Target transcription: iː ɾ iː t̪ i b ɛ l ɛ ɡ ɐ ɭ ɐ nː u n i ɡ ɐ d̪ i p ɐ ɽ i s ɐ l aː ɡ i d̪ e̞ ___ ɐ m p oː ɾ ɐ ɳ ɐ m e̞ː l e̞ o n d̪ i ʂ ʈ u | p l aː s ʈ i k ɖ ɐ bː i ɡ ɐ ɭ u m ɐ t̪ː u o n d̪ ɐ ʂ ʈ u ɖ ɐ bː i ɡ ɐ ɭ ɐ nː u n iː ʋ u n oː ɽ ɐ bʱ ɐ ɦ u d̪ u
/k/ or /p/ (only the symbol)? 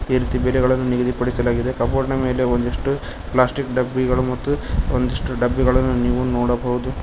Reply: k